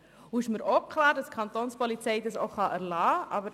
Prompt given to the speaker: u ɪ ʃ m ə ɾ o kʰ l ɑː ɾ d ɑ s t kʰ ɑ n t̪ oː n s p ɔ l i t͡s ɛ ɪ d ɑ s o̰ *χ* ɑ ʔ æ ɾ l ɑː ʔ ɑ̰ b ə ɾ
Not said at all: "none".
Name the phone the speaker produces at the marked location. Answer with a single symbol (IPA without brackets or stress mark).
χ